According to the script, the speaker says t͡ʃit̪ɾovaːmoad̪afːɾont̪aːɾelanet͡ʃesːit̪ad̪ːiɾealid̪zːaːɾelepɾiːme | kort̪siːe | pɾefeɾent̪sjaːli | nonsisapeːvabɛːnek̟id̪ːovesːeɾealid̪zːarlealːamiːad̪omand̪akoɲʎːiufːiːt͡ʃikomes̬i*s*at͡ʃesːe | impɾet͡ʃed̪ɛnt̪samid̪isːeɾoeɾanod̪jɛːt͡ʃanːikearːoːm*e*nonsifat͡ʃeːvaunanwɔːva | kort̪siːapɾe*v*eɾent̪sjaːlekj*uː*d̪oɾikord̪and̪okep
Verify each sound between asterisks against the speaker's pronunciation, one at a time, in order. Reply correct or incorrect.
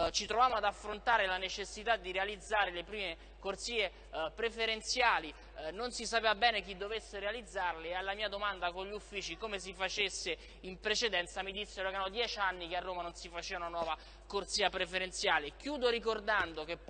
incorrect, incorrect, incorrect, correct

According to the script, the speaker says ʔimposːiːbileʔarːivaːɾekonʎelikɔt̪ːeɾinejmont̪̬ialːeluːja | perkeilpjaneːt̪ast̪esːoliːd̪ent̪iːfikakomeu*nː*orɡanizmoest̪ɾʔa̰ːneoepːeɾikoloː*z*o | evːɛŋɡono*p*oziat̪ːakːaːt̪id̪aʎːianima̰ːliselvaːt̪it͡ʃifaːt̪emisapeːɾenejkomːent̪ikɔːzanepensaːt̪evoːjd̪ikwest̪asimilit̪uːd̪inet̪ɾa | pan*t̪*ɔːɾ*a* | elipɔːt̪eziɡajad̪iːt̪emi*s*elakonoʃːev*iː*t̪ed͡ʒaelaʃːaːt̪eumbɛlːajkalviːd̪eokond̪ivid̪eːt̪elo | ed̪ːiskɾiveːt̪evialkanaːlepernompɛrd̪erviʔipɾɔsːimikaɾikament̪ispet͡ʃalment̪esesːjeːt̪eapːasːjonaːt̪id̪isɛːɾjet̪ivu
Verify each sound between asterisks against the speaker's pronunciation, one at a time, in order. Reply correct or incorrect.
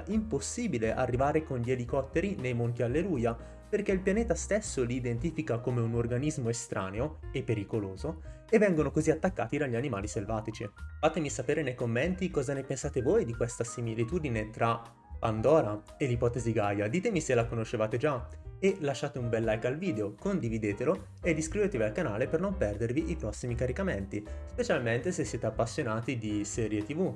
incorrect, correct, incorrect, incorrect, correct, correct, incorrect

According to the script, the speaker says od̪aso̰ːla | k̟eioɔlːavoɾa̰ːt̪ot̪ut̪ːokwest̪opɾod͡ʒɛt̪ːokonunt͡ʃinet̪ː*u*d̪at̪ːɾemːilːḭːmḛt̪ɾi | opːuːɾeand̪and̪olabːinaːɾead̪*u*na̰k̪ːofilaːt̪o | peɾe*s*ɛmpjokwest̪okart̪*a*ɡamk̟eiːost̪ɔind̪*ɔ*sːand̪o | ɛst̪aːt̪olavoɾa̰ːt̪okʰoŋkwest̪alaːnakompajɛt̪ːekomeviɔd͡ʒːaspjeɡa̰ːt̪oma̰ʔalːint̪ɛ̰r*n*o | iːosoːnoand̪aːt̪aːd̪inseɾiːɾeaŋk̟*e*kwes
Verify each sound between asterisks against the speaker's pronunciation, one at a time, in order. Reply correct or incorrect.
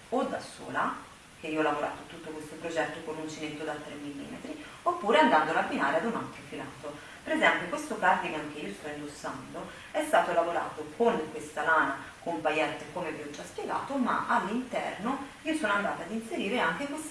incorrect, correct, incorrect, incorrect, incorrect, correct, correct

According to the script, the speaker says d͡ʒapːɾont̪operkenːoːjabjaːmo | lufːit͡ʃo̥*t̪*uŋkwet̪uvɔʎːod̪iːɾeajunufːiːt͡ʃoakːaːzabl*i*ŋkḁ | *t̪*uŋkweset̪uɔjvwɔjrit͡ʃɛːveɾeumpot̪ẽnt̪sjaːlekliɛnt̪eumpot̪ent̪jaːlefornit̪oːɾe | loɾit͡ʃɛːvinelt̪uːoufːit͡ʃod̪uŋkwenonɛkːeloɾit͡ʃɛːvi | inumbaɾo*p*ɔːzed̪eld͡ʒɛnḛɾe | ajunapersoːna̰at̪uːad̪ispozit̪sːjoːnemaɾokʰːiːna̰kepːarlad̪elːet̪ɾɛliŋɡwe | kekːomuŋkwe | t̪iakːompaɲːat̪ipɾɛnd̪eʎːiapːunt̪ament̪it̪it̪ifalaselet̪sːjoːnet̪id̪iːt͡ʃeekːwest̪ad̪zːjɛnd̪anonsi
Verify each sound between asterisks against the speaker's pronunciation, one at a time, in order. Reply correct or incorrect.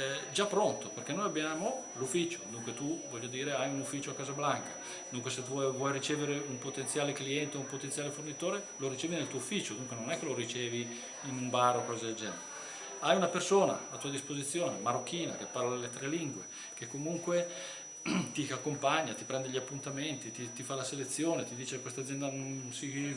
incorrect, incorrect, incorrect, incorrect

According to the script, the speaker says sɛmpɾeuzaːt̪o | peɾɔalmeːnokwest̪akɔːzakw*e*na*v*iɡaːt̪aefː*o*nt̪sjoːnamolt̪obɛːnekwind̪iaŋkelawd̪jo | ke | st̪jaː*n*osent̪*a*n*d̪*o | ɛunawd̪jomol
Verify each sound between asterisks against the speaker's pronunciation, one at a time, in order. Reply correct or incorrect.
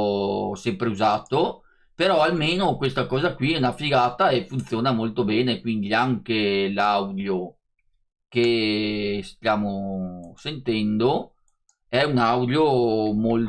incorrect, incorrect, incorrect, incorrect, incorrect, correct

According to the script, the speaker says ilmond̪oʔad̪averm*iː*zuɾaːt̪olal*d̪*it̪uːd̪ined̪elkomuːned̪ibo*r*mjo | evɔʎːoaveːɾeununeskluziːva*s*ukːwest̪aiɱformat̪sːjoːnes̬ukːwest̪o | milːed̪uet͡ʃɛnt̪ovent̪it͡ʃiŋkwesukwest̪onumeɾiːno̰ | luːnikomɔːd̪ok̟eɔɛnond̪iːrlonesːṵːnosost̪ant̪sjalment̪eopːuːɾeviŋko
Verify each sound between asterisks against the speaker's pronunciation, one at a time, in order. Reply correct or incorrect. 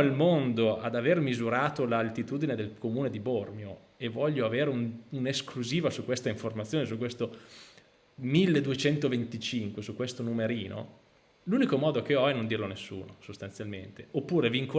incorrect, incorrect, correct, correct

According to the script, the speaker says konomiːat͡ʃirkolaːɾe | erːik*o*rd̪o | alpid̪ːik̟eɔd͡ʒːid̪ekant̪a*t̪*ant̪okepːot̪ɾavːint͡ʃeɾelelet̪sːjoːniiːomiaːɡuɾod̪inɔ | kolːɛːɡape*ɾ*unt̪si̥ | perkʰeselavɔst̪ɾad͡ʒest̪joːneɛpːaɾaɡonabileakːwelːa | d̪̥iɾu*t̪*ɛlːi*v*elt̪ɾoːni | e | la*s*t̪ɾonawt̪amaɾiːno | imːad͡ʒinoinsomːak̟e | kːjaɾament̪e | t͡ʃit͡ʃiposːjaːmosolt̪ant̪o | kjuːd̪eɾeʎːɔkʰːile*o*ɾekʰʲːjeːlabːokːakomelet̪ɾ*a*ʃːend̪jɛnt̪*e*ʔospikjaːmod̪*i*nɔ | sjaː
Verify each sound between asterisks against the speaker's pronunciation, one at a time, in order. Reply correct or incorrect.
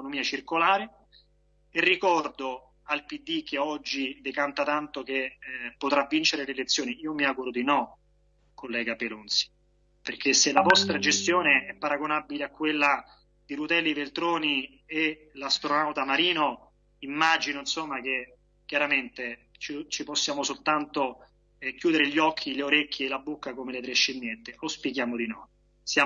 incorrect, correct, incorrect, correct, correct, correct, correct, incorrect, correct, correct

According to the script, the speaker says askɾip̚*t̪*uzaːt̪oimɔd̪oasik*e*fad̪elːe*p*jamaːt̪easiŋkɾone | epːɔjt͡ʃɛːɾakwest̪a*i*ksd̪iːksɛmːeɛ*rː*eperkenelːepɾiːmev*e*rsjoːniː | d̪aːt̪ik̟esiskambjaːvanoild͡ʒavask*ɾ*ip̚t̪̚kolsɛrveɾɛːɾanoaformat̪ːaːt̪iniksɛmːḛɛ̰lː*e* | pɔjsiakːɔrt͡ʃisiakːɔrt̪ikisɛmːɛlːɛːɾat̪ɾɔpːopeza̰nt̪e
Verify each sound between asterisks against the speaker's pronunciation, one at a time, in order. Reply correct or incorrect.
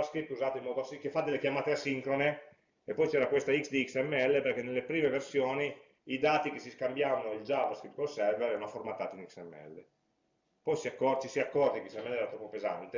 correct, correct, incorrect, correct, incorrect, correct, correct, correct

